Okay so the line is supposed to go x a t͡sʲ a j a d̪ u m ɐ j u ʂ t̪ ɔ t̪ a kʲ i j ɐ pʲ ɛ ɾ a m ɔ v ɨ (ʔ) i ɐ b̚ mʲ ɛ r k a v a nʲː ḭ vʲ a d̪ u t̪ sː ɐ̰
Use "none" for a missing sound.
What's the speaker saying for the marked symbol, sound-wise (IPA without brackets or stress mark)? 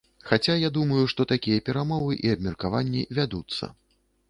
ʔ